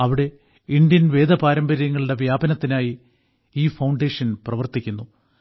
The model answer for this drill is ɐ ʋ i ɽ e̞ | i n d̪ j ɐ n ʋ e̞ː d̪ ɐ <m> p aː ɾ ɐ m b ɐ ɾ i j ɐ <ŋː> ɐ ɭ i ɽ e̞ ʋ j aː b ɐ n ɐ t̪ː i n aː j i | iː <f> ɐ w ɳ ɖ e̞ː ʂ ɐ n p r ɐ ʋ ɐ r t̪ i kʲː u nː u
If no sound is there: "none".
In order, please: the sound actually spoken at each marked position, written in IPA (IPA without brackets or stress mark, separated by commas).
none, ŋː, f